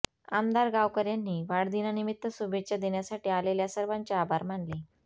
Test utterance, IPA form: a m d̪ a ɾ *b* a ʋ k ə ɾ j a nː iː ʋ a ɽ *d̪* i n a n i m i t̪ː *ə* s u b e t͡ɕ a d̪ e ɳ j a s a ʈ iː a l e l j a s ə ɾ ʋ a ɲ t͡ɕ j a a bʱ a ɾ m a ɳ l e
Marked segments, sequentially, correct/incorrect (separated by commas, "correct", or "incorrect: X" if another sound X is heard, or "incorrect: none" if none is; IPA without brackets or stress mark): incorrect: ɡ, correct, correct